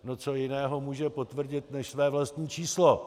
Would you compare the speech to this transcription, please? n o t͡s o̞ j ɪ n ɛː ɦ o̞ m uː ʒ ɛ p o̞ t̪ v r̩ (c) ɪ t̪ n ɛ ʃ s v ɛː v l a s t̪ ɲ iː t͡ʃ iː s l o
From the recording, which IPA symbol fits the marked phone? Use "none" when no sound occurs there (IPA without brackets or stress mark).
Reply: ɟ